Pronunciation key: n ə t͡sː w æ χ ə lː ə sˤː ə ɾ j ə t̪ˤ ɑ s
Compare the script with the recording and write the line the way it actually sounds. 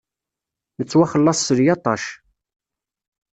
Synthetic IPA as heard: n ə t͡sː w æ χ ə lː ɑ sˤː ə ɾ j ɑ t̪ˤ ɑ ʃ

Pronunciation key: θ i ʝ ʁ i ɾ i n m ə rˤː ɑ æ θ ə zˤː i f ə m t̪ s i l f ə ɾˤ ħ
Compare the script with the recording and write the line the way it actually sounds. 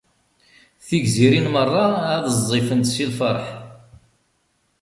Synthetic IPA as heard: θ i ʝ z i ɾ i n m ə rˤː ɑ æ ð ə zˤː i f ə n t̪ s i l f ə ɾˤ ħ

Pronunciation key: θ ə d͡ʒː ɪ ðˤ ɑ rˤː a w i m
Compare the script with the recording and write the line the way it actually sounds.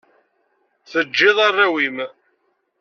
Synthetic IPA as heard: θ ə d͡ʒː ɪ ðˤ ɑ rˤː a w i m

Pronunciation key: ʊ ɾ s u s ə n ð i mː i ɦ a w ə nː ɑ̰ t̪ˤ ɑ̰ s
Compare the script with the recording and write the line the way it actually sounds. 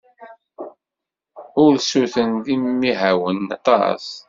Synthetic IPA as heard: ʊ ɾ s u θ ə n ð i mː i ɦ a w ə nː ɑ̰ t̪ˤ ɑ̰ s

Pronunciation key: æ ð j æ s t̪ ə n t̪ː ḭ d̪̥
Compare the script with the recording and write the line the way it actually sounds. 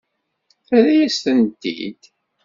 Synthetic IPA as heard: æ ð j æ s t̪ ə n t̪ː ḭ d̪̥

